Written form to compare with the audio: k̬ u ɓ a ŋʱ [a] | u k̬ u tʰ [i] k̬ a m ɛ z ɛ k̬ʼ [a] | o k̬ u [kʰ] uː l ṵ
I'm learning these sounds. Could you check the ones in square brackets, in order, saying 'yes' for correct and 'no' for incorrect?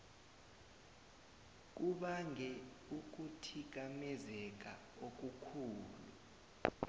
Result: no, yes, yes, yes

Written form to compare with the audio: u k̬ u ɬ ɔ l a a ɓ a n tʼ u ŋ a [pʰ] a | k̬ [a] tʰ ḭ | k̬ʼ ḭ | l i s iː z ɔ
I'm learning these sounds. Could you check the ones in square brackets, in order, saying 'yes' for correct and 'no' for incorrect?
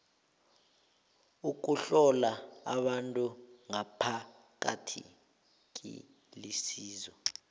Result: yes, yes

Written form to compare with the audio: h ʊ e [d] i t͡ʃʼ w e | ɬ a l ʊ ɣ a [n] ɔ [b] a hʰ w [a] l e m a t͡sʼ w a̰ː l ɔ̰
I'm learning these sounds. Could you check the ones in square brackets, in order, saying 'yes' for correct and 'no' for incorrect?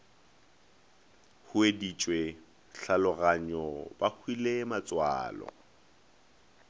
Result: yes, no, yes, no

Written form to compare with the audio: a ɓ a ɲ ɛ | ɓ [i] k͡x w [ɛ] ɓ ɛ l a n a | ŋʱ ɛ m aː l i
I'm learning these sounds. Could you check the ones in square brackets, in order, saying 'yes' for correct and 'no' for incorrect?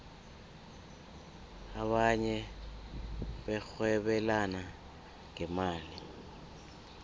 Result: no, yes

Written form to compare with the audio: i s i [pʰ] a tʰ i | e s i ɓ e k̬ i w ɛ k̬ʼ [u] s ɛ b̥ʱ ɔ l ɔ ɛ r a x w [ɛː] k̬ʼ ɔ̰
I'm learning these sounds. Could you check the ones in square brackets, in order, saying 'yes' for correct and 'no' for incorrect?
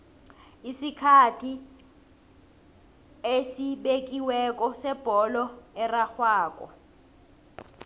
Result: no, no, no

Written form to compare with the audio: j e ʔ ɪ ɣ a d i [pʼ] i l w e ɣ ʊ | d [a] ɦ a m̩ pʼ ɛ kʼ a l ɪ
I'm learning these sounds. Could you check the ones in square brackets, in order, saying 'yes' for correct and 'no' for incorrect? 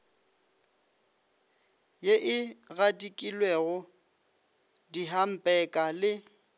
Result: no, no

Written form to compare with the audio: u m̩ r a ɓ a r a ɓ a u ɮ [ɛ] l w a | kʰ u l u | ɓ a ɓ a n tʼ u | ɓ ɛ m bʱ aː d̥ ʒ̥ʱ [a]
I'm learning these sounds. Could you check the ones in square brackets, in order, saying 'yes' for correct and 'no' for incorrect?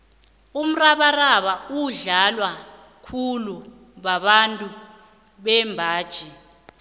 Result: no, no

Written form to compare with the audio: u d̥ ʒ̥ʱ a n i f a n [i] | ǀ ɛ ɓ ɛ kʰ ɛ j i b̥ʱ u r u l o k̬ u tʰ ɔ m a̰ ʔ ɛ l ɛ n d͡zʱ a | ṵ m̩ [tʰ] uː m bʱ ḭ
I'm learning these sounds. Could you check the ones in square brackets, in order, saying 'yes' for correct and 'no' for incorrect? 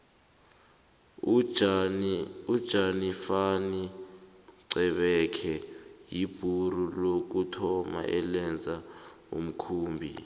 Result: yes, no

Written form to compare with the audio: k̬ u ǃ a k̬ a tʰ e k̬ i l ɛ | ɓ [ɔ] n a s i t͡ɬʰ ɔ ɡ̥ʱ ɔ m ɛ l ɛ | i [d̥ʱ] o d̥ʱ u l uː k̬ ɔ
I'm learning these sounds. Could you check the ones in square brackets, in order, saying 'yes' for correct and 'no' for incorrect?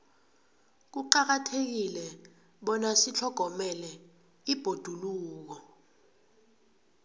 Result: yes, no

